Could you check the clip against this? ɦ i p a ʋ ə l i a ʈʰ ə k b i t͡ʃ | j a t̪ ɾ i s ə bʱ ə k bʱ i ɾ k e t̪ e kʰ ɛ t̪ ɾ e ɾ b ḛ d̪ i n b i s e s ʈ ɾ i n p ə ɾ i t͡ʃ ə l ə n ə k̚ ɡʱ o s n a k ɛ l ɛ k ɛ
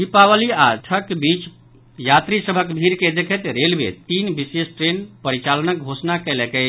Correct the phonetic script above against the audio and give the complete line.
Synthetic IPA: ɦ i p a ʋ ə l i a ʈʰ ə k b i t͡ʃ | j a t̪ ɾ i s ə bʱ ə k bʱ i ɾ k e d̪ e kʰ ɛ t̪ ɾ e l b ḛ t̪ i n b i s e s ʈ ɾ e n p ə ɾ i t͡ʃ a l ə n ə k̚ ɡʱ o s n a k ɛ l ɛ k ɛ